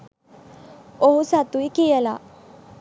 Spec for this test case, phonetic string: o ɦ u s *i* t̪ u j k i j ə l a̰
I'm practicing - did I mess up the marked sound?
yes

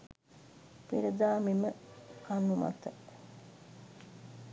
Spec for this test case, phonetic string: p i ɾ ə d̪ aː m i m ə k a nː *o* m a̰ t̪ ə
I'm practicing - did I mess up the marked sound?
yes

